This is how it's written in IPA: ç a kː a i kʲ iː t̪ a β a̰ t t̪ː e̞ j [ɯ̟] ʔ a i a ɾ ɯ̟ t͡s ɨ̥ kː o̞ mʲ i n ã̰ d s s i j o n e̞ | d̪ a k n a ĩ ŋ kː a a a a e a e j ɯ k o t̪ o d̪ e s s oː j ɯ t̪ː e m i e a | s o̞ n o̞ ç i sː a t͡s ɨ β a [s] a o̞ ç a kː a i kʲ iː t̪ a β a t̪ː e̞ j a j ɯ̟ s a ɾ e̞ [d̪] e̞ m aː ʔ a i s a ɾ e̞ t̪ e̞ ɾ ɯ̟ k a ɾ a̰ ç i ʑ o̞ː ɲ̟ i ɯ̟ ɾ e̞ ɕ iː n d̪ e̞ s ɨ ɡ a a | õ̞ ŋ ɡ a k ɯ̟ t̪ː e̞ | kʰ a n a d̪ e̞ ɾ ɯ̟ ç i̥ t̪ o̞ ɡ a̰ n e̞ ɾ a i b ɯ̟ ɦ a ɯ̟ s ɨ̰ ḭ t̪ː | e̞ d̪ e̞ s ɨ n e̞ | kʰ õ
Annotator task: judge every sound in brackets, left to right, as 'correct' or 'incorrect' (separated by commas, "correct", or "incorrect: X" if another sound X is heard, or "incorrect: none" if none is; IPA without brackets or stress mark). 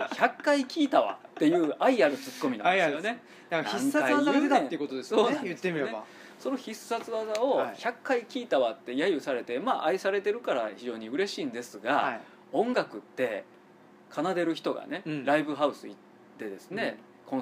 incorrect: ɯ̟ː, incorrect: z, incorrect: t̪